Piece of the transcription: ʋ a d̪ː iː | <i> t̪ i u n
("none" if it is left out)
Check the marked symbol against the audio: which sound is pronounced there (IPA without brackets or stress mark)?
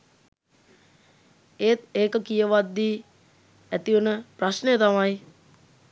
æ